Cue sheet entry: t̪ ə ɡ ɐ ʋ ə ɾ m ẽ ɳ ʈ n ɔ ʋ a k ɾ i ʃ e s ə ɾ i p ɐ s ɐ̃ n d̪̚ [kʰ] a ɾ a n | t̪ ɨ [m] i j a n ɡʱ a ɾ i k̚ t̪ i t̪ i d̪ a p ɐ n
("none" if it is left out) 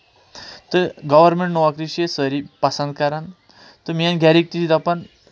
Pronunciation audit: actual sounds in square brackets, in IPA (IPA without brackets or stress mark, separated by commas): k, m